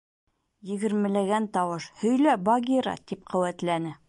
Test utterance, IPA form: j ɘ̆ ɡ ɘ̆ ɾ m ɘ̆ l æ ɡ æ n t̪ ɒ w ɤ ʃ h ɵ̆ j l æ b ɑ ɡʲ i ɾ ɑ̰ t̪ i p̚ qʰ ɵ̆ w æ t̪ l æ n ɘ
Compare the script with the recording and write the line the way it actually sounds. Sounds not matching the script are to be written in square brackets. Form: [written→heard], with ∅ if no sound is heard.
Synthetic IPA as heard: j ɘ̆ ɡ ɘ̆ ɾ m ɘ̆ l æ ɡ æ n t̪ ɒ w ɤ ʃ h ɵ̆ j l æ b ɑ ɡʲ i ɾ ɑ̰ t̪ i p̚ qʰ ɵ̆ w æ t̪ l æ n ɘ

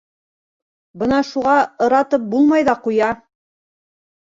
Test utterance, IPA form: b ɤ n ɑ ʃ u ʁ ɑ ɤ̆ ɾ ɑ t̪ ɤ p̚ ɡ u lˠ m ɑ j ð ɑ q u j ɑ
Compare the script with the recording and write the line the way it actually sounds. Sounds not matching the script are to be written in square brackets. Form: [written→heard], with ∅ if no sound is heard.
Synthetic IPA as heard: b ɤ n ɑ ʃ u ʁ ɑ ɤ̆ ɾ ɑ t̪ ɤ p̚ [ɡ→b] u lˠ m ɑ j ð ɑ q u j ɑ

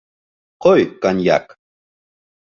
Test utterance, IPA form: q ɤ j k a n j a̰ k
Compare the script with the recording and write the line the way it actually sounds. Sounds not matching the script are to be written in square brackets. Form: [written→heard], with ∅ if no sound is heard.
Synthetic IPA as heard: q [ɤ→o] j k a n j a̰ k

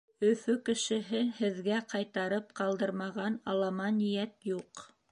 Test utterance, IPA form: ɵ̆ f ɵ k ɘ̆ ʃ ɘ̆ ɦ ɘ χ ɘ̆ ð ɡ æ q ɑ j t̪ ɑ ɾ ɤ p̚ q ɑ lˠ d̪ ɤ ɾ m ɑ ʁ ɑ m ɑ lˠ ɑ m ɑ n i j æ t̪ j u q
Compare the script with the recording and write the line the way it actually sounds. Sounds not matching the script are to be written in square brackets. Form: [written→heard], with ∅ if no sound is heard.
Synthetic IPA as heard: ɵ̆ f ɵ k ɘ̆ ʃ ɘ̆ ɦ ɘ [χ→h] ɘ̆ ð ɡ æ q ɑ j t̪ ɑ ɾ ɤ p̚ q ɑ lˠ d̪ ɤ ɾ m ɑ ʁ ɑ [m→n] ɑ lˠ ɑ m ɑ n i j æ t̪ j u q

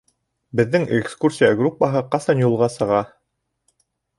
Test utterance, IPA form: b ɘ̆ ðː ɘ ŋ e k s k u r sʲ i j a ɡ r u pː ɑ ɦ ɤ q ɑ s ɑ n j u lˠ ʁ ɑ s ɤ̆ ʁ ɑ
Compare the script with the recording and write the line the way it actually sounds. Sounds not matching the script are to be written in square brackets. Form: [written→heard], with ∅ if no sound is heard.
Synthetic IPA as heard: b ɘ̆ ðː ɘ ŋ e k s k u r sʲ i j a ɡ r u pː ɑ ɦ ɤ q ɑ s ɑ n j u lˠ ʁ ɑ s ɤ̆ ʁ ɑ

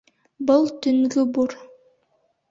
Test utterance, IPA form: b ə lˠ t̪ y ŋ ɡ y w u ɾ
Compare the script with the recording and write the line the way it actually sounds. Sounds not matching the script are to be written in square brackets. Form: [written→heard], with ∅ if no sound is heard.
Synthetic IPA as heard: b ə lˠ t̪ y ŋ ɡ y [w→b] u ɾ

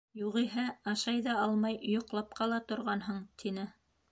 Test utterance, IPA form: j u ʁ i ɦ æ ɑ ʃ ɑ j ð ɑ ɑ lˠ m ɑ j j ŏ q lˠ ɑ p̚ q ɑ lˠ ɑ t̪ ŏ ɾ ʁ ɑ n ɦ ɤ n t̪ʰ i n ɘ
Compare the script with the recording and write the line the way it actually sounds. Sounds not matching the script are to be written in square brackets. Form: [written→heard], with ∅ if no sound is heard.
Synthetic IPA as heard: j u ʁ i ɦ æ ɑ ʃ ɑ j ð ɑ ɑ lˠ m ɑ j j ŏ q lˠ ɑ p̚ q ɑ lˠ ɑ t̪ ŏ ɾ ʁ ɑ n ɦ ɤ [n→ɴ] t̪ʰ i n ɘ

